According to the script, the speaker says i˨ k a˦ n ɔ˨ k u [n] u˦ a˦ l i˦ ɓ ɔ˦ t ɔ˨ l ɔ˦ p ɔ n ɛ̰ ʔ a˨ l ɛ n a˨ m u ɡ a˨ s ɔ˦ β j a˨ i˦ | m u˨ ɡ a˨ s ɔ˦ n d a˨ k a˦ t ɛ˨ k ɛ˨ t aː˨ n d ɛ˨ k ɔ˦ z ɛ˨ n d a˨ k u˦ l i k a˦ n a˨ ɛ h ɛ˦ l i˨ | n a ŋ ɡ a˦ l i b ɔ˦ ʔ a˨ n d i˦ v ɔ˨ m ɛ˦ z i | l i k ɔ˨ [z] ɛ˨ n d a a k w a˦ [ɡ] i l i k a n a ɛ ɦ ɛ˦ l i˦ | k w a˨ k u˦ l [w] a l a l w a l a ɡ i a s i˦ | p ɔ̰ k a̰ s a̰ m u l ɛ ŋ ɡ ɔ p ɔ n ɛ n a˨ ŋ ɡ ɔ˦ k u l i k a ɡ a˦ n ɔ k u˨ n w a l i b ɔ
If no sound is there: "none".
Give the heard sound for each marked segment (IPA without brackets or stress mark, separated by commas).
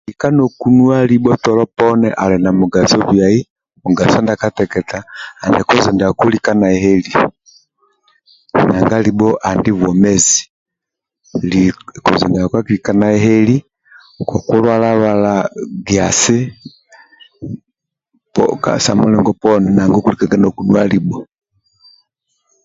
n, z, k, w